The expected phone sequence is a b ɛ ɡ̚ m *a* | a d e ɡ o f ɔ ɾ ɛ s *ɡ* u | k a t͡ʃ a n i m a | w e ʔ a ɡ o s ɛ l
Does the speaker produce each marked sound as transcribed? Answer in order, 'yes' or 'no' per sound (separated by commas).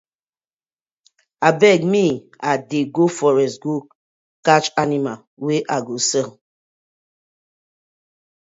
no, yes